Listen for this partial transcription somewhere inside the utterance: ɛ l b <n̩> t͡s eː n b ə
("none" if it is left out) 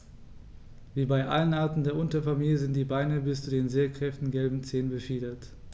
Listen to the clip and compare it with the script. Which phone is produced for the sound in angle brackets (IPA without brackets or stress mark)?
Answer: m̩